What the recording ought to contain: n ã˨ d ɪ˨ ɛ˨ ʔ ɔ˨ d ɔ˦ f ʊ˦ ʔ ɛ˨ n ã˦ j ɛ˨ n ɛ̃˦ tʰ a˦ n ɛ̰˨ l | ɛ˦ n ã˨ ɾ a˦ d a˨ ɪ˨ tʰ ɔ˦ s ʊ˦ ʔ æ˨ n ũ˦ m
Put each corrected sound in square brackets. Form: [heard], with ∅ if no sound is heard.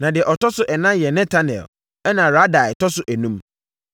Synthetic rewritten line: n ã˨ d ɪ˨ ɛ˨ ʔ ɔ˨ [t] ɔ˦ [s] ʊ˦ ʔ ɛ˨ n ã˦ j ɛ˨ n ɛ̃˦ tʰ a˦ n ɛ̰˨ l | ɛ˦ n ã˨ ɾ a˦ d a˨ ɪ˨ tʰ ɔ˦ s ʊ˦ ʔ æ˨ n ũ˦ m